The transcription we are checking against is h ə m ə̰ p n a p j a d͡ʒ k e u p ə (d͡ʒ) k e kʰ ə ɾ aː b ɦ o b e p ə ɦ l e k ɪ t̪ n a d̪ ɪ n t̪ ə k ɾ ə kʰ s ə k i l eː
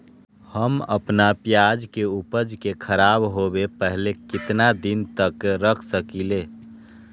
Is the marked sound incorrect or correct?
correct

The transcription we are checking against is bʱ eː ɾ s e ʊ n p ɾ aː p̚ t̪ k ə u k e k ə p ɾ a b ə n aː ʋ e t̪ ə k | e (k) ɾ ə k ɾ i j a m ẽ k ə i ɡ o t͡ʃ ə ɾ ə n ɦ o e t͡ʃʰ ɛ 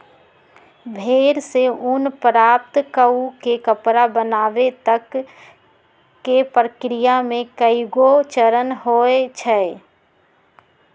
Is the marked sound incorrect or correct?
incorrect: p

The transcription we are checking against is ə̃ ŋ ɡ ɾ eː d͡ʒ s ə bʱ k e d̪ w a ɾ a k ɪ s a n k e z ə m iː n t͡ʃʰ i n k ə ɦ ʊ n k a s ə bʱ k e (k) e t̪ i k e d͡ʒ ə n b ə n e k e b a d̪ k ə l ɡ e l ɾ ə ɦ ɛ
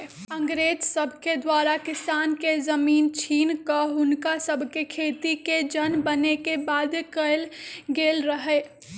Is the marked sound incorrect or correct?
incorrect: kʰ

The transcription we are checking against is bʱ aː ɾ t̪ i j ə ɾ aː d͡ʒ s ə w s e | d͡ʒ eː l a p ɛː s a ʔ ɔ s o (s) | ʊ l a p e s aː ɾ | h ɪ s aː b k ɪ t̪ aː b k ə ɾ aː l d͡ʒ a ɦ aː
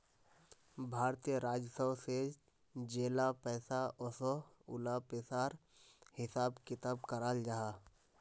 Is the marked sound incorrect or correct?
incorrect: none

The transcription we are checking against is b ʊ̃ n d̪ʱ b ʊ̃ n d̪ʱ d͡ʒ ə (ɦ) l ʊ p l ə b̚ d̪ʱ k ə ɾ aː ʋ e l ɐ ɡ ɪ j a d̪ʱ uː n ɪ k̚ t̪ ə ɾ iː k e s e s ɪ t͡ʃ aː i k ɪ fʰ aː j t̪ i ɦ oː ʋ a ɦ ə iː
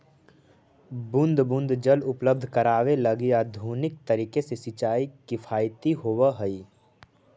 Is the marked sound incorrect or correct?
incorrect: none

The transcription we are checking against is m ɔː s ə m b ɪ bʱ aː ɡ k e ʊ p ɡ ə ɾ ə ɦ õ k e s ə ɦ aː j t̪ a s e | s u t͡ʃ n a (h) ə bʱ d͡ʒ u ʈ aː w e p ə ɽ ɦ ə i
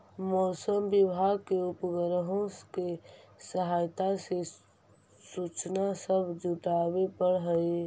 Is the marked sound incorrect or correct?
incorrect: s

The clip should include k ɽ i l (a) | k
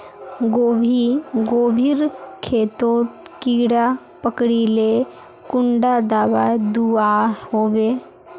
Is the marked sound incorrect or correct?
incorrect: e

